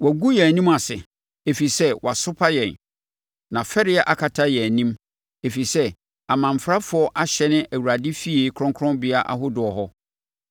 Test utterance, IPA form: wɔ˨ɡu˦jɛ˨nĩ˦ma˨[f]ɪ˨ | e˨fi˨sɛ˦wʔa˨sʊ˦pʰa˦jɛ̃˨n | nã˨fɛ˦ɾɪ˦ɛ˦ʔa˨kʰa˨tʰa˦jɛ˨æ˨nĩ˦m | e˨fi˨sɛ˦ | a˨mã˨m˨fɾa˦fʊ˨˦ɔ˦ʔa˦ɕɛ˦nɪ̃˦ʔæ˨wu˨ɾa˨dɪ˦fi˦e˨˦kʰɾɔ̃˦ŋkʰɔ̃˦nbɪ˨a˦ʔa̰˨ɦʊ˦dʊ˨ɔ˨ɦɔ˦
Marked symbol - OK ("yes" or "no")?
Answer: no